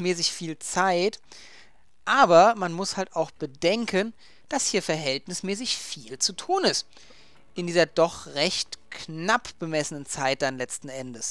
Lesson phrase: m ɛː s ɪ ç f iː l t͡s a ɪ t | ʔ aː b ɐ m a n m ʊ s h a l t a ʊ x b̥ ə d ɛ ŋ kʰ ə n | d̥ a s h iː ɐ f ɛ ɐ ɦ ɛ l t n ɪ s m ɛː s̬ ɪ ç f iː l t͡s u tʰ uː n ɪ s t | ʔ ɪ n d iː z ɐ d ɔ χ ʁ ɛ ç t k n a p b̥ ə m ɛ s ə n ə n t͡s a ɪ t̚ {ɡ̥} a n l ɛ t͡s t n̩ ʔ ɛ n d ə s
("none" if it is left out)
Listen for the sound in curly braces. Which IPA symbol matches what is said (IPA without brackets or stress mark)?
d̥